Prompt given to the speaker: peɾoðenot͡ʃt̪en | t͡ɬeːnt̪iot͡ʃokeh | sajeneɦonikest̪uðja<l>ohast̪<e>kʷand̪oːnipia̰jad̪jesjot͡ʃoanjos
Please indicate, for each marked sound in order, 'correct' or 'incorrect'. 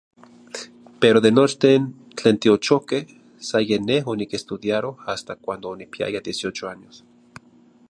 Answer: incorrect, incorrect

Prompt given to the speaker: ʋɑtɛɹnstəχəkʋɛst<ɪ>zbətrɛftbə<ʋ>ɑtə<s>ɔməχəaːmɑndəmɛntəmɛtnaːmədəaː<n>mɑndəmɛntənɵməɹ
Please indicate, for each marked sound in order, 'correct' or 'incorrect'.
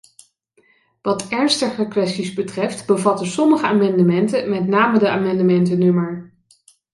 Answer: incorrect, incorrect, correct, incorrect

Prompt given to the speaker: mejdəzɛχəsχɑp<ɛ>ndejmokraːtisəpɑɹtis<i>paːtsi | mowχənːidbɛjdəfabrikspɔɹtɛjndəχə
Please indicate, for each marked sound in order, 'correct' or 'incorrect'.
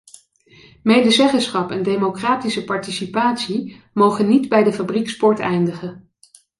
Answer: correct, correct

